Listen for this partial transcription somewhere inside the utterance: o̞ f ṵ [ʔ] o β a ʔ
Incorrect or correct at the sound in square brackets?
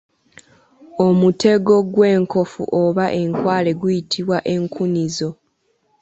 correct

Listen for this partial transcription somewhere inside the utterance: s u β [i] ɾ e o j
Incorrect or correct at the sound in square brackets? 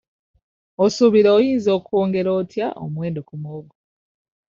correct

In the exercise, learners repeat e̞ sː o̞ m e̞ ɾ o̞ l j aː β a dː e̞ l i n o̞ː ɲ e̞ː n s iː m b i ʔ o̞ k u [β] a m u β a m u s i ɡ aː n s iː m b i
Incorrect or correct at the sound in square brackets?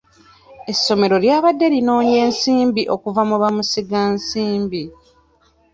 incorrect: v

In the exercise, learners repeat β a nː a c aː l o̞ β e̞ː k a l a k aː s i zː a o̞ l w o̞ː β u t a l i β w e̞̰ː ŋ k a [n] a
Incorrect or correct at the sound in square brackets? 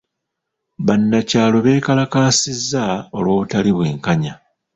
incorrect: ɲ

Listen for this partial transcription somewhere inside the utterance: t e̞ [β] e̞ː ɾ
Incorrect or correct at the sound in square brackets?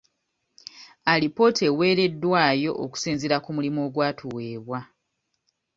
incorrect: w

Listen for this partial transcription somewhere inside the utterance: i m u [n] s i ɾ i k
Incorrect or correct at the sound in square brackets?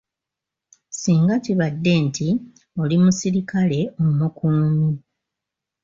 incorrect: none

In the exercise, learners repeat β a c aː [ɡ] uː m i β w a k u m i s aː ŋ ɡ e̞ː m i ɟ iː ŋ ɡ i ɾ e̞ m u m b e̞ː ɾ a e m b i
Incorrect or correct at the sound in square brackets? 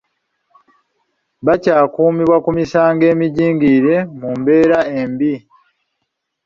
incorrect: k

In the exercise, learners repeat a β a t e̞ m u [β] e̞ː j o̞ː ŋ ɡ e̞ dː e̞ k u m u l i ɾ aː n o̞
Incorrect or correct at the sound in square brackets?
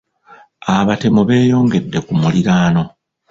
correct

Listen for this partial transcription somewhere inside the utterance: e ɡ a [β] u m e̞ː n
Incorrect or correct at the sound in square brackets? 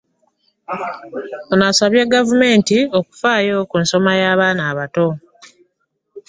incorrect: v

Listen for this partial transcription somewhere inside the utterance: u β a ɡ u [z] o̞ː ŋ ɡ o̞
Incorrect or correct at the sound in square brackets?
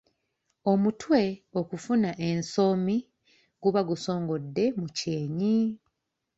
incorrect: s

